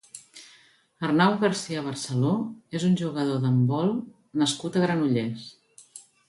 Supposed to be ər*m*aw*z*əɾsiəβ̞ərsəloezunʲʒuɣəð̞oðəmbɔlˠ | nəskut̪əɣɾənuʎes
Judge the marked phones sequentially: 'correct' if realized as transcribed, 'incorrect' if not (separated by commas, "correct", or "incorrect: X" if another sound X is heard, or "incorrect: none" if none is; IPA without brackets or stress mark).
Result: incorrect: n, incorrect: ɣ